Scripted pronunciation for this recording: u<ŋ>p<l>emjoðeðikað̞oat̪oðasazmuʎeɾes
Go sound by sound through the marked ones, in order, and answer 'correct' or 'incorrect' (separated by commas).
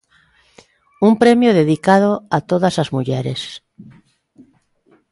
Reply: incorrect, incorrect